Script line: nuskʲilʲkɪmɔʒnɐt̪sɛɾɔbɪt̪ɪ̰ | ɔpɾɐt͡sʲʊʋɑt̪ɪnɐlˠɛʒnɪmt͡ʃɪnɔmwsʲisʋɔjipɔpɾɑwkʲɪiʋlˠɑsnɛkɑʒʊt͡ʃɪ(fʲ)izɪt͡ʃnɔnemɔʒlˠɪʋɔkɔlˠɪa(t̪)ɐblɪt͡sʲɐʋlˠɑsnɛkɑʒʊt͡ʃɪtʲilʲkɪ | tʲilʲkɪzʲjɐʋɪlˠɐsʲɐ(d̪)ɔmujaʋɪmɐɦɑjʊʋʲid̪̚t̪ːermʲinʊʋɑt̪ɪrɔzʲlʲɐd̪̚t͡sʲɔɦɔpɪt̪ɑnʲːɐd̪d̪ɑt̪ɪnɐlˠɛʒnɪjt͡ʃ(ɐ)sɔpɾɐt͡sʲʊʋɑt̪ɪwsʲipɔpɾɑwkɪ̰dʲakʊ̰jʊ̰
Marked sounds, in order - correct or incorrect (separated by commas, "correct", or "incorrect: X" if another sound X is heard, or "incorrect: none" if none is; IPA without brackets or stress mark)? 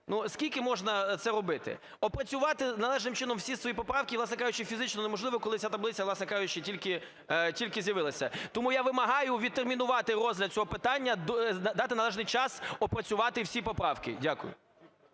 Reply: correct, correct, incorrect: t̪, incorrect: ɑ